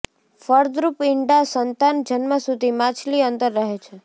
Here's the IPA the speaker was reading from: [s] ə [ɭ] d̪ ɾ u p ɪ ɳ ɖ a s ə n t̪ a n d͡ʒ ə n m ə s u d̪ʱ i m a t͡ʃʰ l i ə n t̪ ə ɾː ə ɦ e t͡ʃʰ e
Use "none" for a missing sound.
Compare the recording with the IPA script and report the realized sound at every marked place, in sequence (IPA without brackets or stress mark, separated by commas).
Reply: f, ɾ